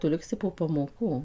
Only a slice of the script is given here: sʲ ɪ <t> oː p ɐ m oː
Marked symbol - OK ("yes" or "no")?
no